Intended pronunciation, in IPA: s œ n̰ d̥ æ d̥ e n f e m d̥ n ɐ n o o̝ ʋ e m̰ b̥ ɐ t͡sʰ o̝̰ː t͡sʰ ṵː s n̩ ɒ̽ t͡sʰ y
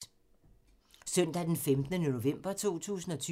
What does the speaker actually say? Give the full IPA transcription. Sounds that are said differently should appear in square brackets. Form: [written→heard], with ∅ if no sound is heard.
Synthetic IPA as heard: s œ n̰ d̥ æ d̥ e n f e m d̥ n [ɐ→ə] n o o̝ ʋ e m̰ b̥ ɐ t͡sʰ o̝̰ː t͡sʰ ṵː s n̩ ɒ̽ t͡sʰ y